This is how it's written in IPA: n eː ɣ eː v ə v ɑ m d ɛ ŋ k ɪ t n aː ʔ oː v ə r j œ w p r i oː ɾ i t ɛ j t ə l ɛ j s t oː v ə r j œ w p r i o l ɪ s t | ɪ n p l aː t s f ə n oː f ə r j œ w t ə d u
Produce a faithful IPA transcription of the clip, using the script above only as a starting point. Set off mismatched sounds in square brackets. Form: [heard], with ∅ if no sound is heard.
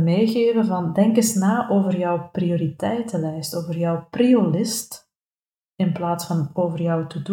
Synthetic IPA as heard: [m] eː ɣ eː v ə v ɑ [n] d ɛ ŋ k ɪ [s] n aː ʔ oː v ə r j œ w p r i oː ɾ i t ɛ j t ə l ɛ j s t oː v ə r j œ w p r i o l ɪ s t | ɪ n p l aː t s f [ɑ] n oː [v] ə r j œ w t ə d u